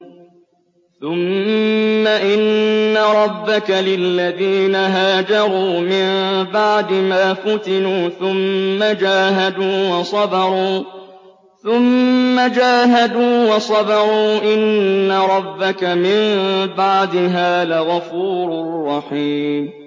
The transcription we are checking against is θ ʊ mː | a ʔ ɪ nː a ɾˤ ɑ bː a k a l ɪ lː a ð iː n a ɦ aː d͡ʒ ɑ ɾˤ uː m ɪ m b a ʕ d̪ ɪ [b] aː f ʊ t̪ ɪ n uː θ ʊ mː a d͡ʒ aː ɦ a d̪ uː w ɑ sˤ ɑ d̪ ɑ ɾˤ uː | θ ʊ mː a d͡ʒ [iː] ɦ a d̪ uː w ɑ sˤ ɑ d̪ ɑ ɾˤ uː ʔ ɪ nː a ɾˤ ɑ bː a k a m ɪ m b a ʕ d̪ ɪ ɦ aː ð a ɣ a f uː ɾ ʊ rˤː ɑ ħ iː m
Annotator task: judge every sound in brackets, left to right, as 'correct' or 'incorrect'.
incorrect: m, incorrect: aː

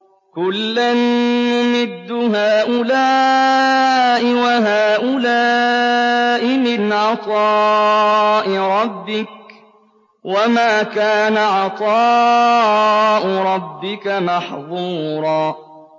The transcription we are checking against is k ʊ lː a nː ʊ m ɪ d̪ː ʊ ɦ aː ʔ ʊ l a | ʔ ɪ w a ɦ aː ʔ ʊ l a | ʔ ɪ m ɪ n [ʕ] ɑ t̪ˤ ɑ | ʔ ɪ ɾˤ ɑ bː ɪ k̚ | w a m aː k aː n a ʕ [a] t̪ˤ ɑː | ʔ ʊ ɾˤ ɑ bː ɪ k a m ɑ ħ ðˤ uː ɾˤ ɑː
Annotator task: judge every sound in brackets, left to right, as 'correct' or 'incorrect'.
correct, incorrect: ɑ

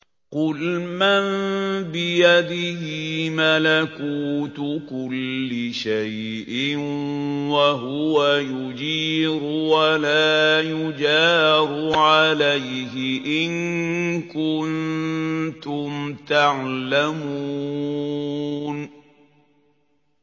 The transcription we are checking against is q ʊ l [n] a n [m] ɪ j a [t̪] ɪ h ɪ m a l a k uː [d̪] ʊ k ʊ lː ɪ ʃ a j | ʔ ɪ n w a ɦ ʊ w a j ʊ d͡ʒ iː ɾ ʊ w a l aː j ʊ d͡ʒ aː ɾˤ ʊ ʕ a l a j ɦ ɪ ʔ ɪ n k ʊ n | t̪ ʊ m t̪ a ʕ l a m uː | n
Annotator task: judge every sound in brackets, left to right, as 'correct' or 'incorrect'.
incorrect: m, incorrect: b, incorrect: d̪, incorrect: t̪

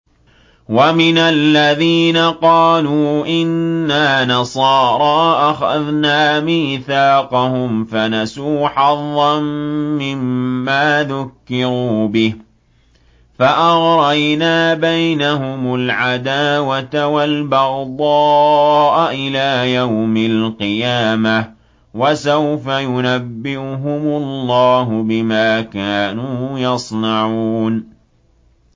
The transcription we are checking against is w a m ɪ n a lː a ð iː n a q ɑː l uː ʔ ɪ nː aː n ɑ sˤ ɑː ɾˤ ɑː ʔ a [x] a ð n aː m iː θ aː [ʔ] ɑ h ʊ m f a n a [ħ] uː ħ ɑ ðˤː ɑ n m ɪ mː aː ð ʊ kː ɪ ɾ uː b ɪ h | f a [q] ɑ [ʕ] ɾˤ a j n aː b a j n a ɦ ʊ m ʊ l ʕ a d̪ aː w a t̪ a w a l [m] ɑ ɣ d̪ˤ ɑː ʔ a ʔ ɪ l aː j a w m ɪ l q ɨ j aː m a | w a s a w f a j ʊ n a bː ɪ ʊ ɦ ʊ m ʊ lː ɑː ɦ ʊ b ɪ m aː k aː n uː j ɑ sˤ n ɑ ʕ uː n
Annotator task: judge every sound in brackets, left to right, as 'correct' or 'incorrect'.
correct, incorrect: q, incorrect: s, incorrect: ʔ, incorrect: ɣ, incorrect: b

